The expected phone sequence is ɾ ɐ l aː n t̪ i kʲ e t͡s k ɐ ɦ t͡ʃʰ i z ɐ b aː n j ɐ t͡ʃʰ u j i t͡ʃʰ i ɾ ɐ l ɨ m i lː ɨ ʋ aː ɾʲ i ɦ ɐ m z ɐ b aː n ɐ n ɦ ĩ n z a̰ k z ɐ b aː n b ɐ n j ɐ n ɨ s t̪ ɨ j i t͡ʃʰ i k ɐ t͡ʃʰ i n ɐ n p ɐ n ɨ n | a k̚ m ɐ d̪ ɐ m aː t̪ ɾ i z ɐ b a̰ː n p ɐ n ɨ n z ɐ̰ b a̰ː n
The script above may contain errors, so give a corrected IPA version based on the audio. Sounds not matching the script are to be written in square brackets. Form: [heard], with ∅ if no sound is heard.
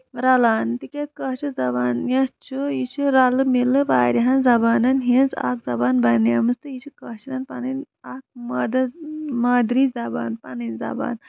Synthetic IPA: ɾ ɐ l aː n t̪ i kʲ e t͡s k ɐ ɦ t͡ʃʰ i z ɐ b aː n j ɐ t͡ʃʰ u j i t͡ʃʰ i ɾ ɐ l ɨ m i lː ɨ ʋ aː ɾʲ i ɦ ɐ [n] z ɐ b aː n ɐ n ɦ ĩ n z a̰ k z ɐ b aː n b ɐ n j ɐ [m] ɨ s t̪ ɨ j i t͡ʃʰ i k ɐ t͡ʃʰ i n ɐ n p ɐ n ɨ n | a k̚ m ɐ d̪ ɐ m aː [d̪] ɾ i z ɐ b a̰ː n p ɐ n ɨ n z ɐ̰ b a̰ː n